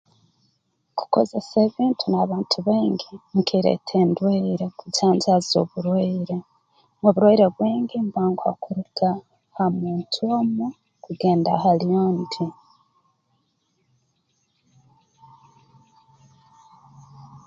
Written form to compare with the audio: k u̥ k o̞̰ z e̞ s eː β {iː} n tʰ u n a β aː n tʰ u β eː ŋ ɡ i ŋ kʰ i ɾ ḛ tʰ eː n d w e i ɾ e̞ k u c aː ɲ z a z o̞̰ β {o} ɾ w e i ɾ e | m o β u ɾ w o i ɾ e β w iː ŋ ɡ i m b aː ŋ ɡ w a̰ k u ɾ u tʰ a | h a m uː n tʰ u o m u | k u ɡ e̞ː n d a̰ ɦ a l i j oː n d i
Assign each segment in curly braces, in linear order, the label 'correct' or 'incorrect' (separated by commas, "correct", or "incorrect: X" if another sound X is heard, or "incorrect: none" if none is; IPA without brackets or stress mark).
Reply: correct, incorrect: u